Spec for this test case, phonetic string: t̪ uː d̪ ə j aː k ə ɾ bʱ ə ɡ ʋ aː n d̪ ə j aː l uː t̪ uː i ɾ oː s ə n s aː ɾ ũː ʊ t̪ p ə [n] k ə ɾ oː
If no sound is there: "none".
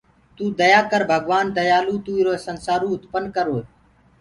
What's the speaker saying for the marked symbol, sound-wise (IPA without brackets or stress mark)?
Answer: n